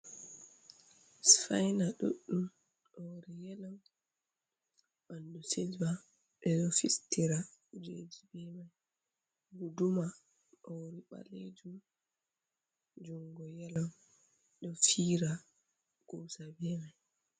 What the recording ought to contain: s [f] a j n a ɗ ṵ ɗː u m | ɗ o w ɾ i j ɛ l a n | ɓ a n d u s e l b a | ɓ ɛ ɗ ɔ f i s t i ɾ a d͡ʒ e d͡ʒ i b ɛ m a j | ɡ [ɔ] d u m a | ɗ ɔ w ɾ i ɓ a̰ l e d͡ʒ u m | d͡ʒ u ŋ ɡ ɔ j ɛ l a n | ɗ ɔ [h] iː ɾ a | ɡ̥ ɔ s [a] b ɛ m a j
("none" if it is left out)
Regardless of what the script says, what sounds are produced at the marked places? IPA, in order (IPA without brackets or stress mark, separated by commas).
f, u, f, a